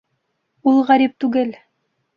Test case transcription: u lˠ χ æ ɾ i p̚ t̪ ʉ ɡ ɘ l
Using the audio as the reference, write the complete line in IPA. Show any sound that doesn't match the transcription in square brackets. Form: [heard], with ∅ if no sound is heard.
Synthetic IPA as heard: u lˠ [ʁ] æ ɾ i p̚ t̪ ʉ ɡ ɘ l